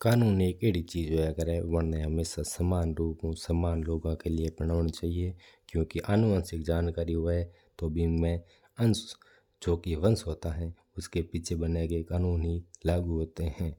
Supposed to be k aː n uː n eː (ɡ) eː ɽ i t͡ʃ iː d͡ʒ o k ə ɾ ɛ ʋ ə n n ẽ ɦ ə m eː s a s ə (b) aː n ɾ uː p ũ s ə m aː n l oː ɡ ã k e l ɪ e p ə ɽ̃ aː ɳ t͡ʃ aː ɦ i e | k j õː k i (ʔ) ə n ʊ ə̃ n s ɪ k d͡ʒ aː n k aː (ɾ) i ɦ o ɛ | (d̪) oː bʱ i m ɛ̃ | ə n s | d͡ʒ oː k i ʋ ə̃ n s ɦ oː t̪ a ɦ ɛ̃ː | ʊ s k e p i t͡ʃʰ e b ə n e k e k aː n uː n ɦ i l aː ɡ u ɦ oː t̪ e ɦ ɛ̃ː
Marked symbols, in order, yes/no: no, no, yes, yes, no

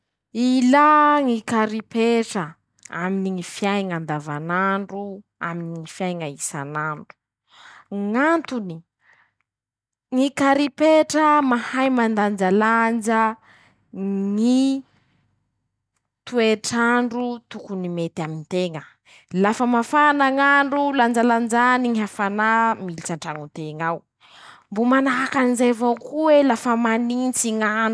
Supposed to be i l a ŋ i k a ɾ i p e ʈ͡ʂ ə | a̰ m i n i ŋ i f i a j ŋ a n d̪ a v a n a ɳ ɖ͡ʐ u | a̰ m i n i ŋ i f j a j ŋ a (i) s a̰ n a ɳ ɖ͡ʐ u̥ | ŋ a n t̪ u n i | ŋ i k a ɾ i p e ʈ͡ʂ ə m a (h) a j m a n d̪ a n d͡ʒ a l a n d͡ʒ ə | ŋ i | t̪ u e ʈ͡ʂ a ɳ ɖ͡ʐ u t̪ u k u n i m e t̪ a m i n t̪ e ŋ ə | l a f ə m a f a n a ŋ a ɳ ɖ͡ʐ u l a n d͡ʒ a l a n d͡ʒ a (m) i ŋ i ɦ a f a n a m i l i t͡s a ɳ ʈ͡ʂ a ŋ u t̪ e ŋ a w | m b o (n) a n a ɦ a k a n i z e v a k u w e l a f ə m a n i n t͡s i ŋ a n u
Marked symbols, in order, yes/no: yes, yes, no, no

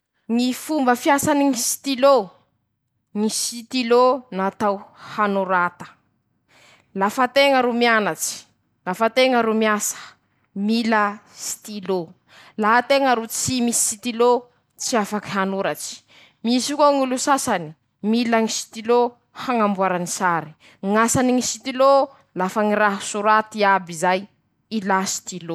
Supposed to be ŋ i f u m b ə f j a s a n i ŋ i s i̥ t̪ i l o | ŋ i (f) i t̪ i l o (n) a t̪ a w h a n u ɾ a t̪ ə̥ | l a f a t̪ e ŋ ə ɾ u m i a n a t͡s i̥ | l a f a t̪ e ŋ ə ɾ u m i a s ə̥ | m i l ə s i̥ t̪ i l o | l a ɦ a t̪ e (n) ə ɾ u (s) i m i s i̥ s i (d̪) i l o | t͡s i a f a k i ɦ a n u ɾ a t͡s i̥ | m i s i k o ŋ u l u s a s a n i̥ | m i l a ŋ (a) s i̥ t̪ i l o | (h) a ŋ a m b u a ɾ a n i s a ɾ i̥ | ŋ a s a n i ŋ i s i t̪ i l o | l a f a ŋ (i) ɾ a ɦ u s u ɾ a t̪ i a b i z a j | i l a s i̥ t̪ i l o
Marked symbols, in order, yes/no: no, yes, no, no, no, no, yes, yes

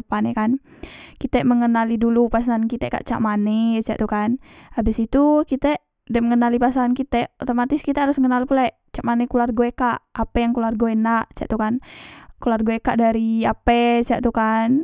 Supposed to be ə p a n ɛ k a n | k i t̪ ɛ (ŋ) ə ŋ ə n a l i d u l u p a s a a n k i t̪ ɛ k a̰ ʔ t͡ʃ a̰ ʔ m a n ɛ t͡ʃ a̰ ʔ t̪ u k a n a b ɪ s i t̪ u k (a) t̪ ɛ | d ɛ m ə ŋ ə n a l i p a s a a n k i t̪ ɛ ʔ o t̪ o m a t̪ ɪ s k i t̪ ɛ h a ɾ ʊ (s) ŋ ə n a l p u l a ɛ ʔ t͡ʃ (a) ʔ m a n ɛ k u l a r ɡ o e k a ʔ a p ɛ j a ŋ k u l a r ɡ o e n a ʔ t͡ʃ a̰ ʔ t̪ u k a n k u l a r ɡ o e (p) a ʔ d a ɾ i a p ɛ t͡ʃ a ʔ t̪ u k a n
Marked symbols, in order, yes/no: no, no, yes, yes, no

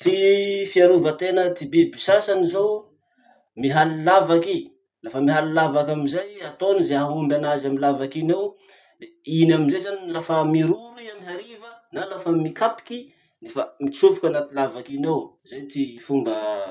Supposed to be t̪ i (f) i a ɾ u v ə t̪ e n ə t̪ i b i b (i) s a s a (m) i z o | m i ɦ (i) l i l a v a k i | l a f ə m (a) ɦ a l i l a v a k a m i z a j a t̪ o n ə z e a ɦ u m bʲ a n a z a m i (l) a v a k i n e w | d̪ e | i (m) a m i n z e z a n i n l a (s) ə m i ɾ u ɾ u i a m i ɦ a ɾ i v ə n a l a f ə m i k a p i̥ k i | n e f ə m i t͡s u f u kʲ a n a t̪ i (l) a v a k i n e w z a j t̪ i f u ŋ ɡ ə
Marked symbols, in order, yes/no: yes, yes, no, no, no, yes, no, no, yes

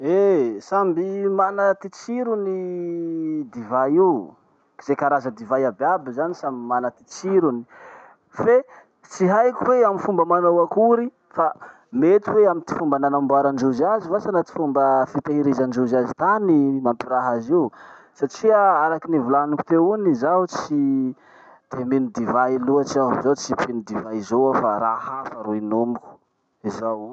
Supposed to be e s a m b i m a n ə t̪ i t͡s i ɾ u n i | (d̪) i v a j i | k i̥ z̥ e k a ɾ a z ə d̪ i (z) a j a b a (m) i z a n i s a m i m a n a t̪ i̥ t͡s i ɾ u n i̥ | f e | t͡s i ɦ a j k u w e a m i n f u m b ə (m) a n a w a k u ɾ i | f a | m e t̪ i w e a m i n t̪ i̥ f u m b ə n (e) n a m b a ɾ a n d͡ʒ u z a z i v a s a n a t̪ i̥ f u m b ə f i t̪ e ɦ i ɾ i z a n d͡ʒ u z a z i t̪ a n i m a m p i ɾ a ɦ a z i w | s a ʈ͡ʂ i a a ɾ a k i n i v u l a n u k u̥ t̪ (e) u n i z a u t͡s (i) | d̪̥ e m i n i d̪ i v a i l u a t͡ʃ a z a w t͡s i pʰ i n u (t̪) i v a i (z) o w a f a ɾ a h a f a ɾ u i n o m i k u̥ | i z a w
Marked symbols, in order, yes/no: yes, no, no, yes, no, yes, yes, no, yes

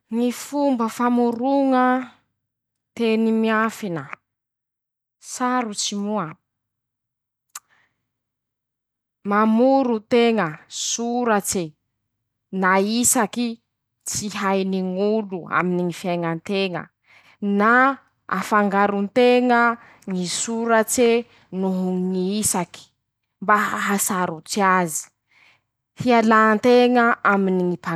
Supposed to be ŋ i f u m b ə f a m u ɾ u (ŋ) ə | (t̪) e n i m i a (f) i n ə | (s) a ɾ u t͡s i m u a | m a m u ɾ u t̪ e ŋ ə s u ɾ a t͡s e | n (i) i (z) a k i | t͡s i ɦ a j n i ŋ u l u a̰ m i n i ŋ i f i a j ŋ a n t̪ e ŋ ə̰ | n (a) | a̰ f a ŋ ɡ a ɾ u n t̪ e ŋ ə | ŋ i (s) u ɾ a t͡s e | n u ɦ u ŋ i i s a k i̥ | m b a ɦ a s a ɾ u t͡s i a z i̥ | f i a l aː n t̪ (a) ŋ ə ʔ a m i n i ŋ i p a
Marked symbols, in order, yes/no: yes, yes, yes, yes, no, no, yes, yes, no

